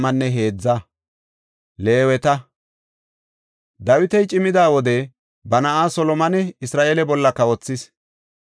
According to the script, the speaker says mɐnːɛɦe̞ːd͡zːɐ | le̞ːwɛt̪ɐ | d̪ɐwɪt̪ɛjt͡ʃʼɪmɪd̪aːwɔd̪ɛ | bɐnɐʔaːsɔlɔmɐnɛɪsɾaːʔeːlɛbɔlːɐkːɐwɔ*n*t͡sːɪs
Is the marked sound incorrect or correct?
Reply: incorrect